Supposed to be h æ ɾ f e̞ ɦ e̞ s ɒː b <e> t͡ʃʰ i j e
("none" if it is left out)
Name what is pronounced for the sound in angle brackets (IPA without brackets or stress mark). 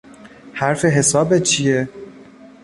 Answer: e